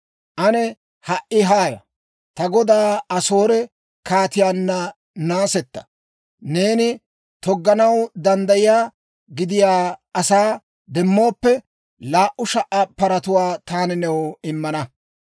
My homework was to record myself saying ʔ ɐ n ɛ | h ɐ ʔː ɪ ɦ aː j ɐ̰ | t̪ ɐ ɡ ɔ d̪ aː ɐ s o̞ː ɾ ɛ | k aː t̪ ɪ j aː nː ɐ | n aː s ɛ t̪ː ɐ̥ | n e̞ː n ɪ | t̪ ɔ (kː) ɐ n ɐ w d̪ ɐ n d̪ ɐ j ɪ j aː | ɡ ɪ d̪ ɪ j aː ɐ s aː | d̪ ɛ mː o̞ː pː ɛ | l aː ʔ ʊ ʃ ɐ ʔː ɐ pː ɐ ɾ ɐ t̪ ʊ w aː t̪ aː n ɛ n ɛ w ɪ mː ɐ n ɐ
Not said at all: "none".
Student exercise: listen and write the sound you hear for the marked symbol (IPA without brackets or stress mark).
ɡː